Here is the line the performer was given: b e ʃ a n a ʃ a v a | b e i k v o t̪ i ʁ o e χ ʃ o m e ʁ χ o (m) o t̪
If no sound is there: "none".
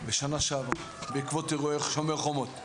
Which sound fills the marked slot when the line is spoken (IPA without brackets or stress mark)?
m